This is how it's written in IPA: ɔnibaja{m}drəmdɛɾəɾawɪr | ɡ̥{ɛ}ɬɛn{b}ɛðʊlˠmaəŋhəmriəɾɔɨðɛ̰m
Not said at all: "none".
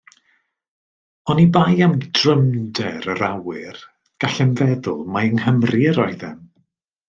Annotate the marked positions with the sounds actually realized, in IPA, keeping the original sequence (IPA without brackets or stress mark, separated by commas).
m, a, v